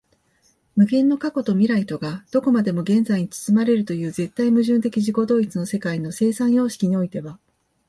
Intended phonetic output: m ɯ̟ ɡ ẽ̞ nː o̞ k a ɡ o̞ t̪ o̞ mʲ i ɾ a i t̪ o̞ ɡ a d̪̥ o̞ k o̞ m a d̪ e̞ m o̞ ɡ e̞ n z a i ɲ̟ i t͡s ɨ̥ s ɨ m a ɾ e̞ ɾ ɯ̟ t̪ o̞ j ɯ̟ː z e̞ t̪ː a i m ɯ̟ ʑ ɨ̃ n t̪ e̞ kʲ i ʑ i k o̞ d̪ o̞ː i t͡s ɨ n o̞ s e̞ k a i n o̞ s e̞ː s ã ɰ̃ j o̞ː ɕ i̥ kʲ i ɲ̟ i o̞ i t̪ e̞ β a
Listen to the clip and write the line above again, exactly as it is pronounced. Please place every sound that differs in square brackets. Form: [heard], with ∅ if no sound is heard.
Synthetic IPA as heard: m ɯ̟ ɡ ẽ̞ nː o̞ k a [k] o̞ t̪ o̞ mʲ i ɾ a i t̪ o̞ ɡ a d̪̥ o̞ k o̞ m a d̪ e̞ m o̞ ɡ [ẽ̞] n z a i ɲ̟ i t͡s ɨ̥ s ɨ m a ɾ e̞ ɾ ɯ̟ t̪ o̞ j ɯ̟ː z e̞ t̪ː a i m ɯ̟ ʑ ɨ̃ n t̪ e̞ kʲ i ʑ i k o̞ d̪ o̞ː i t͡s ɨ n o̞ s e̞ k a i n o̞ s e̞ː s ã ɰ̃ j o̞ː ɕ i̥ kʲ i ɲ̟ i o̞ i t̪ e̞ β a

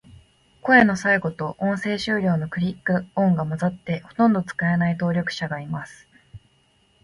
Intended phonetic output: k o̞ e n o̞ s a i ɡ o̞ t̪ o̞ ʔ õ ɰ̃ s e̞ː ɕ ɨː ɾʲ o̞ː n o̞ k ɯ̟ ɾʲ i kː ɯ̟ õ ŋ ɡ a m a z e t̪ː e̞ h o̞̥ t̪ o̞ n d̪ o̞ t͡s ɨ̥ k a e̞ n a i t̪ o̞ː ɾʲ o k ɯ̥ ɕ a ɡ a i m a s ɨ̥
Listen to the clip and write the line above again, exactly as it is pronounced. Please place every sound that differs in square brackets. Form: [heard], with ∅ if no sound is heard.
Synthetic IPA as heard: k o̞ e n o̞ s a i ɡ o̞ t̪ o̞ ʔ õ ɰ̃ s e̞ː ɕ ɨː ɾʲ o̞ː n o̞ k ɯ̟ ɾʲ i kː ɯ̟ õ ŋ ɡ a m a z [a] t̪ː e̞ h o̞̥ t̪ [õ̞] n d̪ o̞ t͡s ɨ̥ k a e̞ n a i t̪ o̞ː ɾʲ o k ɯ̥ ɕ a ɡ a i m a s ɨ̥

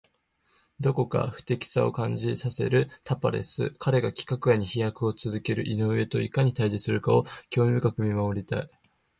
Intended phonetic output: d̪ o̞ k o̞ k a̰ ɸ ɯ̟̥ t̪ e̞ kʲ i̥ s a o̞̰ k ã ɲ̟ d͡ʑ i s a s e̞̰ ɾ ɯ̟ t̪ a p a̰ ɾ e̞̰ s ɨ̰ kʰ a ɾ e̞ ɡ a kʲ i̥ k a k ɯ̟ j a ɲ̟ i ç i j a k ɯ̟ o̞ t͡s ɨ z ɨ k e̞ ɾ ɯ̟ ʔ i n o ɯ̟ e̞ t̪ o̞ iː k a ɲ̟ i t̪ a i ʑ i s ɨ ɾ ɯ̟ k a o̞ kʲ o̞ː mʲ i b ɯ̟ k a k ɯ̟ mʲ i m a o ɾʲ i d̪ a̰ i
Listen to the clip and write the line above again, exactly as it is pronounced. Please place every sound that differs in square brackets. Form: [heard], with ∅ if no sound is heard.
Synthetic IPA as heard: d̪ o̞ k o̞ k a̰ ɸ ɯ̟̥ t̪ e̞ kʲ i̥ s a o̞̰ k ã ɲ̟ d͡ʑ i s a s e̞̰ ɾ ɯ̟ t̪ a p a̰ ɾ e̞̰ s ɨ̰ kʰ a ɾ e̞ ɡ a kʲ i̥ k a k ɯ̟ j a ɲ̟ i ç i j a k ɯ̟ o̞ t͡s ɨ z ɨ k e̞ ɾ ɯ̟ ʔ i n o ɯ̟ e̞ t̪ o̞ [i] k a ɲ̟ i t̪ a i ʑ i s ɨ ɾ ɯ̟ k a o̞ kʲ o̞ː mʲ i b ɯ̟ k a k ɯ̟ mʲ i m a o ɾʲ i [t̪] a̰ i

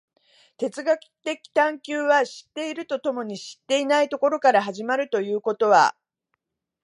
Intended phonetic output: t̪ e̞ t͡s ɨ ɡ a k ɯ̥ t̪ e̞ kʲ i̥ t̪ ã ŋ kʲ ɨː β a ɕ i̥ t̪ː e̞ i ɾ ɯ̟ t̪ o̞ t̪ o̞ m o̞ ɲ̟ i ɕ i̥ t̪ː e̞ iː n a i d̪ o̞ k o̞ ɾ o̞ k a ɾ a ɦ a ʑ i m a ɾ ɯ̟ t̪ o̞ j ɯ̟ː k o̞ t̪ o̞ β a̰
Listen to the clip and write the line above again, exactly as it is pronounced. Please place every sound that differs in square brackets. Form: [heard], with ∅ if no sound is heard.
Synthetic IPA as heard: t̪ e̞ t͡s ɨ ɡ a k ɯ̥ t̪ e̞ kʲ i̥ t̪ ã ŋ kʲ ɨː β a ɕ i̥ t̪ː e̞ i ɾ ɯ̟ t̪ o̞ t̪ o̞ m o̞ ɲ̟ i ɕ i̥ t̪ː e̞ [i] n a i [t̪] o̞ k o̞ ɾ o̞ k a ɾ a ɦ a ʑ i m a ɾ ɯ̟ t̪ o̞ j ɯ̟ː k o̞ t̪ o̞ β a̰

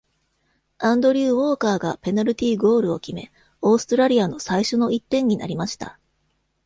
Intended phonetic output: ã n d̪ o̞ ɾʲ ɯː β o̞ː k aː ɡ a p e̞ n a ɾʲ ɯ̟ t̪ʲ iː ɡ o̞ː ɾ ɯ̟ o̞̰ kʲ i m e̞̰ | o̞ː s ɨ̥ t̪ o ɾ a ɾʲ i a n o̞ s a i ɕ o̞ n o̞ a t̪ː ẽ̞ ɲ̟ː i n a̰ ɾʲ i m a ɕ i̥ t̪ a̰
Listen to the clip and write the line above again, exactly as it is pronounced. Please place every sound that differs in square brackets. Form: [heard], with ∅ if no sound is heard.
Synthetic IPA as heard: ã n d̪ o̞ ɾʲ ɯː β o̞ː k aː ɡ a p e̞ n a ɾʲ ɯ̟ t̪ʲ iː ɡ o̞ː ɾ ɯ̟ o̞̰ kʲ i m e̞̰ | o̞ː s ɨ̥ t̪ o ɾ a ɾʲ i a n o̞ s a i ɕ o̞ n o̞ [i] t̪ː ẽ̞ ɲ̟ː i n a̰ ɾʲ i m a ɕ i̥ t̪ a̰

